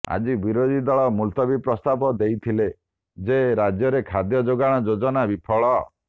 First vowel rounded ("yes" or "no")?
no